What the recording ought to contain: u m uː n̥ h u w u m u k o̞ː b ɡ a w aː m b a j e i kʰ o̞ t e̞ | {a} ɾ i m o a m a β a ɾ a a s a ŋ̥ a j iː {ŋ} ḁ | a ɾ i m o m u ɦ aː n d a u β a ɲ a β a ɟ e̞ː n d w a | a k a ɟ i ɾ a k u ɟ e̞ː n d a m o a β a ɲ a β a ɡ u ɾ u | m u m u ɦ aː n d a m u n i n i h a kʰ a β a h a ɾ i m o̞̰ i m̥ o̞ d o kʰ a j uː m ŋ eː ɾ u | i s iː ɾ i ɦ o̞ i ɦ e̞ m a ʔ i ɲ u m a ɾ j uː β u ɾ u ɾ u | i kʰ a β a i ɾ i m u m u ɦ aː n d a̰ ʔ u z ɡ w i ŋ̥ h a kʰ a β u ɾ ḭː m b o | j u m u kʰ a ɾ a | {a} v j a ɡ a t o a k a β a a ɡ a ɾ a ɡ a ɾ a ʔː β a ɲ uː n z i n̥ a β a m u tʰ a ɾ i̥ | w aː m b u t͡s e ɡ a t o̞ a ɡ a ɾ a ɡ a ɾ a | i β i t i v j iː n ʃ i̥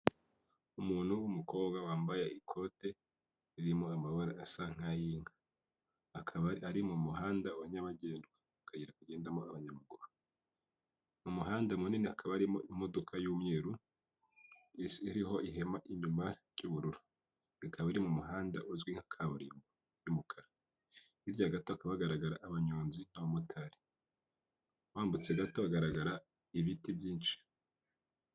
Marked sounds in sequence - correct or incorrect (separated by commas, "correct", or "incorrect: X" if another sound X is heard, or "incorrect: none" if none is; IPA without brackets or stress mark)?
incorrect: i, correct, incorrect: i